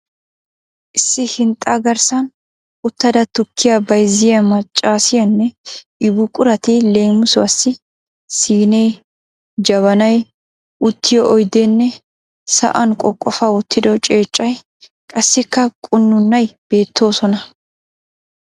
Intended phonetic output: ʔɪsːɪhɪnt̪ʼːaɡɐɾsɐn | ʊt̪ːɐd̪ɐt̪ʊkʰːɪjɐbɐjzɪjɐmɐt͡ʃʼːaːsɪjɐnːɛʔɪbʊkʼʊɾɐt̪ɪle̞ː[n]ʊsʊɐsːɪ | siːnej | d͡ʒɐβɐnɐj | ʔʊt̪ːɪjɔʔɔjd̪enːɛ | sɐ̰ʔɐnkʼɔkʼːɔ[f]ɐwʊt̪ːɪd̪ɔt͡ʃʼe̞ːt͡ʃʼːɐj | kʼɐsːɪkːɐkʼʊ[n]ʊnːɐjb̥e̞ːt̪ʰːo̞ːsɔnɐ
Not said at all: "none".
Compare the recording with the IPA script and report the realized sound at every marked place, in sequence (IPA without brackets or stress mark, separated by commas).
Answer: m, f, nː